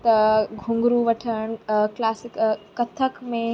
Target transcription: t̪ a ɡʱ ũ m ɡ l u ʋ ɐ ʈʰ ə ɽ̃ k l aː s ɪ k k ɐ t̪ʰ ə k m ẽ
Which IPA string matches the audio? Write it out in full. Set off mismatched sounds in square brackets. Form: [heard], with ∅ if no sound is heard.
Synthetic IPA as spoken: t̪ [ɐ] ɡʱ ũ [ŋ] ɡ [ɾ] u ʋ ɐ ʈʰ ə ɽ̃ k l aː s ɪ k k ɐ t̪ʰ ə k m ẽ